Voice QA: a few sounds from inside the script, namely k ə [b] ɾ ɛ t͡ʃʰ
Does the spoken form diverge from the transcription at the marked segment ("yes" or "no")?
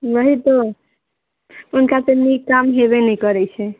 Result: yes